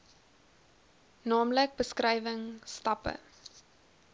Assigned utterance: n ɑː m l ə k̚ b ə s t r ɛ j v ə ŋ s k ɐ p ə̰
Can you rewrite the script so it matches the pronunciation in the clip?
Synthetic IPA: n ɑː m l ə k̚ b ə s k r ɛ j v ə ŋ s t ɐ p ə̰